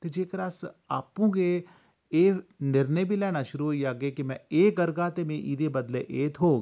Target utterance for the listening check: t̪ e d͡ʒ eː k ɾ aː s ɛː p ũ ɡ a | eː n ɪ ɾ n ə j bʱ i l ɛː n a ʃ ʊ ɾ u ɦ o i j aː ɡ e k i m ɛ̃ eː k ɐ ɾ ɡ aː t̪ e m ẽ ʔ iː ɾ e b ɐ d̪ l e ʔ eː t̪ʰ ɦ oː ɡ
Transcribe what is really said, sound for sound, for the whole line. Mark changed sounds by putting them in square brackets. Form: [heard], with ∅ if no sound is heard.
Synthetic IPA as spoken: t̪ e d͡ʒ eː k ɾ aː s [aː] p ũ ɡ [e] | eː n ɪ ɾ n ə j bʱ i l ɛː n a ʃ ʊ ɾ u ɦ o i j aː ɡ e k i m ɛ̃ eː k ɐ ɾ ɡ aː t̪ e m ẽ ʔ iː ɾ e b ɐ d̪ l e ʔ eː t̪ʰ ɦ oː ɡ

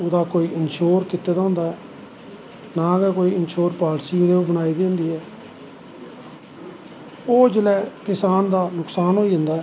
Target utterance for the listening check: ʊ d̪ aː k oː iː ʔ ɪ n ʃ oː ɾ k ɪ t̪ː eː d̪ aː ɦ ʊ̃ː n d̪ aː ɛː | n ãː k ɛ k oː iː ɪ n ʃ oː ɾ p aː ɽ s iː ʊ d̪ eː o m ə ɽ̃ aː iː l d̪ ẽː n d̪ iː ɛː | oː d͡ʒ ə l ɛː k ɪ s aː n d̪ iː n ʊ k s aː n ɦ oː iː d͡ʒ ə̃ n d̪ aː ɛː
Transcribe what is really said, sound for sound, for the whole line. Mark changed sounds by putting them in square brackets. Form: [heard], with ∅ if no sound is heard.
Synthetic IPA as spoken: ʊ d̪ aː k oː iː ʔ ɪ n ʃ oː ɾ k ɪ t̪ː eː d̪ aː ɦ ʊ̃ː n d̪ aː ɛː | n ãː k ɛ k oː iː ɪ n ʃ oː ɾ p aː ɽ s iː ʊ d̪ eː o [b] ə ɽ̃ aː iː [∅] d̪ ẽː n d̪ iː ɛː | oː d͡ʒ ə l ɛː k ɪ s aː n d̪ [aː] n ʊ k s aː n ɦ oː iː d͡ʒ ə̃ n d̪ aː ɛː

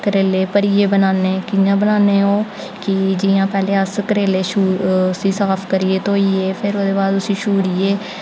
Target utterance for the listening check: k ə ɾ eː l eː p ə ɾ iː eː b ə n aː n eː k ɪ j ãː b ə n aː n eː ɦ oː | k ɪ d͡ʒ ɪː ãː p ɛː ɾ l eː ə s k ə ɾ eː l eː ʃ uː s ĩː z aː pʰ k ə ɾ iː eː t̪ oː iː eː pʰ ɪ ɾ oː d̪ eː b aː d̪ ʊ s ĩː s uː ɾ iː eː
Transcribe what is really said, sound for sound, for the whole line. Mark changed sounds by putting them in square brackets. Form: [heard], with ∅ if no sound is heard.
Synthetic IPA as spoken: k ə ɾ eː l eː p ə ɾ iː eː b ə n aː n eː k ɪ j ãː b ə n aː n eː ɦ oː | k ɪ d͡ʒ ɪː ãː p ɛː [∅] l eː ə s k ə ɾ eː l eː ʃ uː s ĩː [s] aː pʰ k ə ɾ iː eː t̪ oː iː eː pʰ ɪ ɾ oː d̪ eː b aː d̪ ʊ s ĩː [ʃ] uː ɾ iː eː

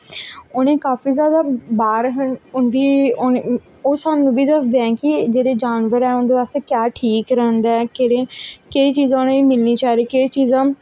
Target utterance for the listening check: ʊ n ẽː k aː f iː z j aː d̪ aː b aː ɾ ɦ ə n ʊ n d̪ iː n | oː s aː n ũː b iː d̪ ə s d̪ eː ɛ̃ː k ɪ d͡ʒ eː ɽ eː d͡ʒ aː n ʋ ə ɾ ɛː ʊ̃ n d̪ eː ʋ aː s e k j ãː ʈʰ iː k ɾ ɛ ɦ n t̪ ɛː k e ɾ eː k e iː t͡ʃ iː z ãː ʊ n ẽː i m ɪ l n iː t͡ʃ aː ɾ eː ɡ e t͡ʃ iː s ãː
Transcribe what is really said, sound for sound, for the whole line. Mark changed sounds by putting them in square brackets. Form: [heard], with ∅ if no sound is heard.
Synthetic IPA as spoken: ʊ n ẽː k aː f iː z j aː d̪ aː b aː ɾ ɦ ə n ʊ n d̪ iː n | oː s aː n ũː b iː d̪ ə s d̪ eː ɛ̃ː k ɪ d͡ʒ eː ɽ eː d͡ʒ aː n ʋ ə ɾ ɛː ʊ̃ n d̪ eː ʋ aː s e k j [aː] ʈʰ iː k ɾ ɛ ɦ n [d̪] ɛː k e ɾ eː k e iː t͡ʃ iː z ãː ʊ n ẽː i m ɪ l n iː t͡ʃ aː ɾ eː [k] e t͡ʃ iː [z] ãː

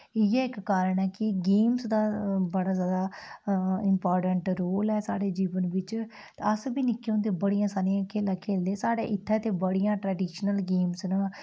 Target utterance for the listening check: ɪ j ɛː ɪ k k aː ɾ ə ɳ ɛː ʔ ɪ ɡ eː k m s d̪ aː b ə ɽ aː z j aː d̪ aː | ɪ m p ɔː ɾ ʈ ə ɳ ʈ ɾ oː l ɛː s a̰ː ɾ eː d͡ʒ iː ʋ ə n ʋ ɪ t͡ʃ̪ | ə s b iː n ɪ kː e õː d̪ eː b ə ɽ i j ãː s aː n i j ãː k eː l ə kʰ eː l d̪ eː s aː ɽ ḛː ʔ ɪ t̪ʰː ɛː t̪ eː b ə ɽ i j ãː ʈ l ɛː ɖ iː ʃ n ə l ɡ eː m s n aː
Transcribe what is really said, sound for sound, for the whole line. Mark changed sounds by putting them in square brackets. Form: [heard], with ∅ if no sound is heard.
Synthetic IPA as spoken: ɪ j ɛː ɪ k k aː ɾ ə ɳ ɛː [k] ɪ ɡ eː [∅] m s d̪ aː b ə ɽ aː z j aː d̪ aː | ɪ m p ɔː ɾ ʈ ə ɳ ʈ ɾ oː l ɛː s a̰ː [ɽ] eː d͡ʒ iː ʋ ə n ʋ ɪ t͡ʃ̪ | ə s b iː n ɪ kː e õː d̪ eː b ə ɽ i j ãː s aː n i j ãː k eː l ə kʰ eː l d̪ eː s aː ɽ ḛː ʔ ɪ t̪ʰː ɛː t̪ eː b ə ɽ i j ãː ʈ [ɾ] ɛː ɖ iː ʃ n ə l ɡ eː m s n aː

